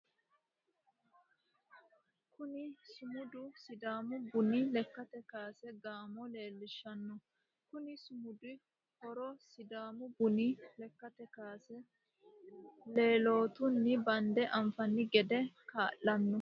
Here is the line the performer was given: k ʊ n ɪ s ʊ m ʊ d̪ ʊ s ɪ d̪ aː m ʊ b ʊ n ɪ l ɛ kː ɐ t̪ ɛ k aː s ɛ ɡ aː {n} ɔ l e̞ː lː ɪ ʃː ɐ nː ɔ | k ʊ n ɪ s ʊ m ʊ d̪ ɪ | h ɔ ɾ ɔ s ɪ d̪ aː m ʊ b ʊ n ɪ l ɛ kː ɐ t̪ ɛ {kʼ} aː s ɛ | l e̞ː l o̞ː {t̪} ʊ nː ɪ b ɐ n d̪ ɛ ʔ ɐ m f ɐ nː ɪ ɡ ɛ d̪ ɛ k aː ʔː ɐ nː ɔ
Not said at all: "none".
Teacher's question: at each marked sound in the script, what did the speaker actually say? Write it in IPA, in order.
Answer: m, k, t̪

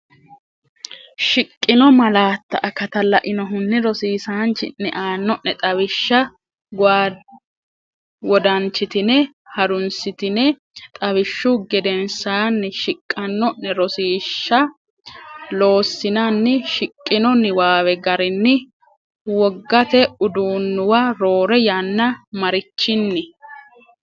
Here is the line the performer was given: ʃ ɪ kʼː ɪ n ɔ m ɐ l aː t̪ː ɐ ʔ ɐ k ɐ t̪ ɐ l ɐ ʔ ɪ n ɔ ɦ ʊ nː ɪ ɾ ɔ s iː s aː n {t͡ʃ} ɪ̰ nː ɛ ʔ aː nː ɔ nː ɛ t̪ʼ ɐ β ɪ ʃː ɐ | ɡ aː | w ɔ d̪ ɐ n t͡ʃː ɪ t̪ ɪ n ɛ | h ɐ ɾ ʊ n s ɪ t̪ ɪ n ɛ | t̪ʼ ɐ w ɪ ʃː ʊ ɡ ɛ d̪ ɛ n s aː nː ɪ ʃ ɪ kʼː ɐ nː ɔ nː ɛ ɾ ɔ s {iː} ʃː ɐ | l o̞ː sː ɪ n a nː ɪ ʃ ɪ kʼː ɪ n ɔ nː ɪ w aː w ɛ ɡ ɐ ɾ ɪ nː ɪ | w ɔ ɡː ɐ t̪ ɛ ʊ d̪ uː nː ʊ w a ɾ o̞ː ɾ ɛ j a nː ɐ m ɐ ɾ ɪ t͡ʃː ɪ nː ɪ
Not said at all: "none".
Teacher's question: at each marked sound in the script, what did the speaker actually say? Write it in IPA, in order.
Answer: t͡ʃ, iː

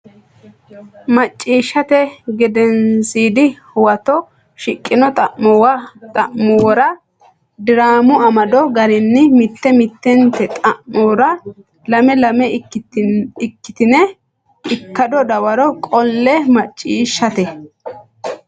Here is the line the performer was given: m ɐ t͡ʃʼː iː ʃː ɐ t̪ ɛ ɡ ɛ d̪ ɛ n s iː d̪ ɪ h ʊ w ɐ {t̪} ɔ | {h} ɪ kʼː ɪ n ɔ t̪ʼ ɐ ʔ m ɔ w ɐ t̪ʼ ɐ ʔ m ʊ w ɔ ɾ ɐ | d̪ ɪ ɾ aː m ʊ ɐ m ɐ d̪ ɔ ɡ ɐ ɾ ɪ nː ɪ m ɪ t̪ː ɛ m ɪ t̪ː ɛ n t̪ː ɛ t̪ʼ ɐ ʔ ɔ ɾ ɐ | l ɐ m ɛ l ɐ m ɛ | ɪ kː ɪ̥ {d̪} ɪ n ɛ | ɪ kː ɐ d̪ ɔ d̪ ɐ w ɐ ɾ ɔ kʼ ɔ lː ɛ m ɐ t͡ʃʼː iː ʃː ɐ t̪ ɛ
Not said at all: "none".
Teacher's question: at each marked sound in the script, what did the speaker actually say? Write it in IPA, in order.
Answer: t̪, ʃ, t̪

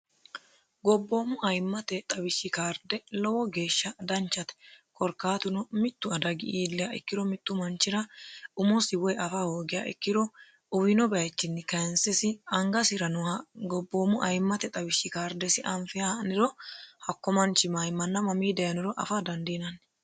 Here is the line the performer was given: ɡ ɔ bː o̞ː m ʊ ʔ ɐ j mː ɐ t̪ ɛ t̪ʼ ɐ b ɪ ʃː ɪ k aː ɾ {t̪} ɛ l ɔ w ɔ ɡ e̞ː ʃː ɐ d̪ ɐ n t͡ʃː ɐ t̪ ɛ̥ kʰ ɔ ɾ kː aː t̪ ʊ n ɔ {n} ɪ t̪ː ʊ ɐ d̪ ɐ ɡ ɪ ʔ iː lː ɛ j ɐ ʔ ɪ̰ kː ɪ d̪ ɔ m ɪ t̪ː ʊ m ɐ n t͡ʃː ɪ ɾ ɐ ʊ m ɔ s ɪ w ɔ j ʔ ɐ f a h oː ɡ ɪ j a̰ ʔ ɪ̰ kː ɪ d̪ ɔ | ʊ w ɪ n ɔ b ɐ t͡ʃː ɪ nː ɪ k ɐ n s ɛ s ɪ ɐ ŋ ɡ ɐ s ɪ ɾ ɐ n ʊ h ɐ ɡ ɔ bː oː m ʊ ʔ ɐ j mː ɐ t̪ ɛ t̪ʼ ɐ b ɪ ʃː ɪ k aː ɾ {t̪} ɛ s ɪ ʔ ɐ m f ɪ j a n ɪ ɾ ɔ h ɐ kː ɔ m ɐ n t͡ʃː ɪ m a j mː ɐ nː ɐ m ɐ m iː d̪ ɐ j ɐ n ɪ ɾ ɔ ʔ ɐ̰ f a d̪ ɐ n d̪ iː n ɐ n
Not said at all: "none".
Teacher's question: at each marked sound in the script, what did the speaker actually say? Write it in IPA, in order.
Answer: d̪, m, d̪

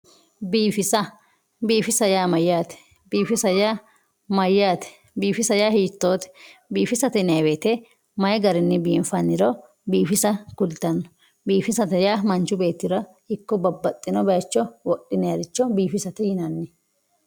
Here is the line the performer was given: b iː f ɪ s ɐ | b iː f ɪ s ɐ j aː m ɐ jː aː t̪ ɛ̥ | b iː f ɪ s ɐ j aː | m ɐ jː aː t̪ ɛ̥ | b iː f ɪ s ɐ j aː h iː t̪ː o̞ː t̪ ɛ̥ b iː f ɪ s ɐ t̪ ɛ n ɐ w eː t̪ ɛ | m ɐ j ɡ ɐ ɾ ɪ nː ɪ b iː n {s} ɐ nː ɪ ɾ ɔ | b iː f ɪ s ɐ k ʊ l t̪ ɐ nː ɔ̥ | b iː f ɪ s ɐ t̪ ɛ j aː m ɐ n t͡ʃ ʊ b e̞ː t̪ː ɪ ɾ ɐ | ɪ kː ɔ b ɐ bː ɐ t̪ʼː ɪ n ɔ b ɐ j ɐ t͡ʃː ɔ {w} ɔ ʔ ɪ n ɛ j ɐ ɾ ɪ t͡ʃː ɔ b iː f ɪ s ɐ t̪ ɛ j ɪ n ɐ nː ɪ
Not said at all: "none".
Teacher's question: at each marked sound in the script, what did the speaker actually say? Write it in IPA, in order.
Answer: f, w

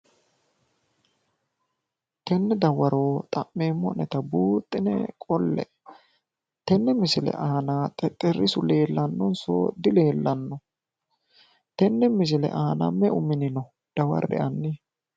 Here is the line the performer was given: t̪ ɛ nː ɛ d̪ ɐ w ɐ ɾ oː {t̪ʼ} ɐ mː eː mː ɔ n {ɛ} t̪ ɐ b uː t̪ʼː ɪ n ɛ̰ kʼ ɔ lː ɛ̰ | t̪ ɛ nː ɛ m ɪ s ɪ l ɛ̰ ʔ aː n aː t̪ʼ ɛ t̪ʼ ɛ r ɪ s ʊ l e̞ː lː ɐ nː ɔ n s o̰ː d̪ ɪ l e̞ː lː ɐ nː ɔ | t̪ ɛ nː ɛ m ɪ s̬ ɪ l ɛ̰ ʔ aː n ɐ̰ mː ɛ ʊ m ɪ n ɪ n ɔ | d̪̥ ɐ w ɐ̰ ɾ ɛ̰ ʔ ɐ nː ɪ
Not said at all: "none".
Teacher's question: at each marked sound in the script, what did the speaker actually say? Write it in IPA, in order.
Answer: t̪ʼ, ɛ

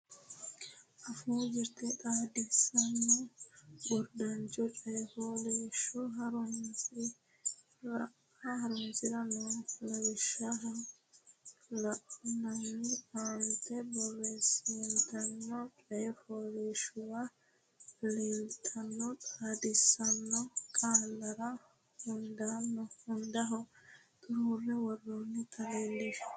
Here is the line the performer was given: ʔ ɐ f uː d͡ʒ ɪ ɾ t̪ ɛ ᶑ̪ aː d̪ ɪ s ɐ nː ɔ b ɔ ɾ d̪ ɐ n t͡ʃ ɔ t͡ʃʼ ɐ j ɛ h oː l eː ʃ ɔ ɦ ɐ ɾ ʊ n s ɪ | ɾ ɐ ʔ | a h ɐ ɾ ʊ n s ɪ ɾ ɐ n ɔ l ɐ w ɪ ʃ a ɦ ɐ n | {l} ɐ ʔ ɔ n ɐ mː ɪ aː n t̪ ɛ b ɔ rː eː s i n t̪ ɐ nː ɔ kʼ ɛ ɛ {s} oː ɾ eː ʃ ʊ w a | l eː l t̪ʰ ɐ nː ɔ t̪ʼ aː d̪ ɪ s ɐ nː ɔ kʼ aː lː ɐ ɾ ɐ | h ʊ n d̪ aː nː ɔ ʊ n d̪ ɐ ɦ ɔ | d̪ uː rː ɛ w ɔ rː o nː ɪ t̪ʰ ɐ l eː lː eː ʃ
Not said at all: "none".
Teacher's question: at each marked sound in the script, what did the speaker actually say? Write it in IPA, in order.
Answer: l, f

